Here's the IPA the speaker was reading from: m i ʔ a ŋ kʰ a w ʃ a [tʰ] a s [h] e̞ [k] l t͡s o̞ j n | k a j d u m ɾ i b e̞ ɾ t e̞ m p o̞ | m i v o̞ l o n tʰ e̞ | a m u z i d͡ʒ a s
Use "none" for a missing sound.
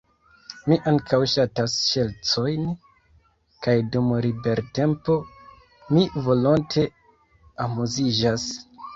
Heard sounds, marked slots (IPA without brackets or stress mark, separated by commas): t, ʃ, none